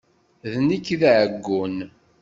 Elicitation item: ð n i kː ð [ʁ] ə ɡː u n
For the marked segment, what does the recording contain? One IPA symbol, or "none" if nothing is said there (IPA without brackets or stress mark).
ʕ